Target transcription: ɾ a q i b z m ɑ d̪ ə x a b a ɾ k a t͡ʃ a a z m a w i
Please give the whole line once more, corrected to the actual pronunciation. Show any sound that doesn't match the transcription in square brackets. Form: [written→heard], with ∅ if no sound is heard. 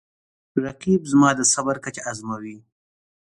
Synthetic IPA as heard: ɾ a q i b z m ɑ d̪ ə [x→s] a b a ɾ k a t͡ʃ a a z m a w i